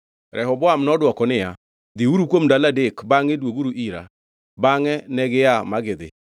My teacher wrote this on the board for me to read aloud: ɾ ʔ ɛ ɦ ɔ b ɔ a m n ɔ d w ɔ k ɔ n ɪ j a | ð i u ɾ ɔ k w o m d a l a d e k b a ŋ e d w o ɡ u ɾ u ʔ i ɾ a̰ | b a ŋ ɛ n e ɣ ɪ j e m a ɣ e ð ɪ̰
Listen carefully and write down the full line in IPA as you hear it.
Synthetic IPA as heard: ɾ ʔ ɛ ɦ ɔ b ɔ a m n ɔ d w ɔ k ɔ n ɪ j a | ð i u ɾ u k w o m d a l a d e k b a ŋ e d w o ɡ u ɾ u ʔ i ɾ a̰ | b a ŋ ɛ n ɛ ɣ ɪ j a m a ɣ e ð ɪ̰